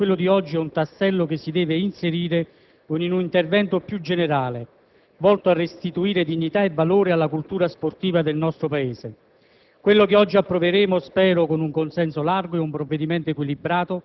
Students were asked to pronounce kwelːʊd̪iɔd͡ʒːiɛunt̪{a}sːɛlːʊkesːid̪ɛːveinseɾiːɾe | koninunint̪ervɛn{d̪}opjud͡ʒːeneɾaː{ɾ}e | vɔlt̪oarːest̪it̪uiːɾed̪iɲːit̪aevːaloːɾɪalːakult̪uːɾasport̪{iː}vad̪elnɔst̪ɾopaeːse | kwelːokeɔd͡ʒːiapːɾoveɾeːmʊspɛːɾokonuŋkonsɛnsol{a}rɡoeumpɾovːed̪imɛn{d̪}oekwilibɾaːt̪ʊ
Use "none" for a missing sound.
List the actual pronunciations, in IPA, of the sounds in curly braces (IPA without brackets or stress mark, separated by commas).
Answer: a, t̪, l, iː, a, t̪